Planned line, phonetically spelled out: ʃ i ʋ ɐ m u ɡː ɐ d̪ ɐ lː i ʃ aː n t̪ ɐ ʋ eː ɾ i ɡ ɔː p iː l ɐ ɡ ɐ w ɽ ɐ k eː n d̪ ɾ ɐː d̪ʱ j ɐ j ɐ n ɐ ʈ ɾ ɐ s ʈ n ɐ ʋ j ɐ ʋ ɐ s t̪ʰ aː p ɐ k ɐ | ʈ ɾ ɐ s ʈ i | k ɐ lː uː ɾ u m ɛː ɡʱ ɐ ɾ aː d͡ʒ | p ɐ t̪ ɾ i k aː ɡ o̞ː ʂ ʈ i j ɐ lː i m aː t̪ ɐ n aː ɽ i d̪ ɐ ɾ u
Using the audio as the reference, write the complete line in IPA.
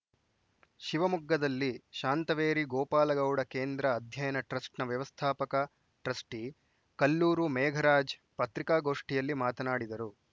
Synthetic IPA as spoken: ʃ i ʋ ɐ m u ɡː ɐ d̪ ɐ lː i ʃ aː n t̪ ɐ ʋ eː ɾ i ɡ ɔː p aː l ɐ ɡ ɐ w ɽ ɐ k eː n d̪ ɾ ɐː d̪ʱ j ɐ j ɐ n ɐ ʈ ɾ ɐ s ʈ n ɐ ʋ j ɐ ʋ ɐ s t̪ʰ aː p ɐ k ɐ | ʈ ɾ ɐ s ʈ i | k ɐ lː uː ɾ u m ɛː ɡʱ ɐ ɾ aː d͡ʒ | p ɐ t̪ ɾ i k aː ɡ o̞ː ʂ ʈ i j ɐ lː i m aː t̪ ɐ n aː ɽ i d̪ ɐ ɾ u